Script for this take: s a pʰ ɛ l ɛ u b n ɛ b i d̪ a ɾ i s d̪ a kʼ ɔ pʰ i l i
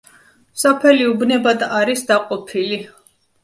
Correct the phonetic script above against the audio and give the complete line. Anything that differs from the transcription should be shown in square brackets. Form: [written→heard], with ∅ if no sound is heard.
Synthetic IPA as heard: s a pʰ ɛ l [ɛ→i] u b n ɛ b [i→a] d̪ a ɾ i s d̪ a [kʼ→qʼ] ɔ pʰ i l i

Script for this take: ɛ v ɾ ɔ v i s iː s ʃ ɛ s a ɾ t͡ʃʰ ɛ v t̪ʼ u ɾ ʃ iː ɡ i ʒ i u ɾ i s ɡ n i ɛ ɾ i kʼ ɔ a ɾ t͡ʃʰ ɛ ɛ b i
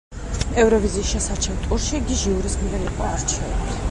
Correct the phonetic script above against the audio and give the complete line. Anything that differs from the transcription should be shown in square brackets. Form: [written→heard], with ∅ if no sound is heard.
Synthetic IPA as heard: ɛ v ɾ ɔ v i [s→z] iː s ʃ ɛ s a ɾ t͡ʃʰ ɛ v t̪ʼ u ɾ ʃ [iː→i] ɡ i ʒ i u ɾ i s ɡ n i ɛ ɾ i [kʼ→qʼ] ɔ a ɾ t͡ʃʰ ɛ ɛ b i

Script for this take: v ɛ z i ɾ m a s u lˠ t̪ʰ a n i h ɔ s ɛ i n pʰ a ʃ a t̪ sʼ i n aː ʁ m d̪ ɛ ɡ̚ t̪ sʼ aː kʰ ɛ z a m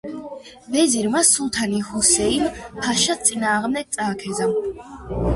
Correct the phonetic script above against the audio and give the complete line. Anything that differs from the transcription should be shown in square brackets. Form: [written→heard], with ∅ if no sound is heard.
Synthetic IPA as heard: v ɛ z i ɾ m a s u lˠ t̪ʰ a n i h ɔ s ɛ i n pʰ a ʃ a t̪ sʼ i n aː ʁ m d̪ ɛ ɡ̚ t̪ sʼ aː kʰ ɛ z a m

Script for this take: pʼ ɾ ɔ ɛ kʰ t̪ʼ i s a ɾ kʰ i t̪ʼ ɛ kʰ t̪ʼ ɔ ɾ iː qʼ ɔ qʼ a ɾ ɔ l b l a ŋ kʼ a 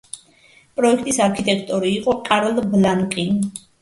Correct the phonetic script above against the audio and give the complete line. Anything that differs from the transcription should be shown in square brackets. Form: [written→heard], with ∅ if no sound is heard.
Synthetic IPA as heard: pʼ ɾ ɔ ɛ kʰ t̪ʼ i s a ɾ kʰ i t̪ʼ ɛ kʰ t̪ʼ ɔ ɾ iː qʼ ɔ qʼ a ɾ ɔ l b l a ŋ kʼ [a→i]

